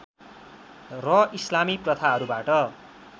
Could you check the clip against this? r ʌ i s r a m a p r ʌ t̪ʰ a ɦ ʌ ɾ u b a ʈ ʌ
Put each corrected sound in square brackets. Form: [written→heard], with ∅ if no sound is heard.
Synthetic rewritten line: r ʌ i s [r→l] a m [a→i] p r ʌ t̪ʰ a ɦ ʌ ɾ u b a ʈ ʌ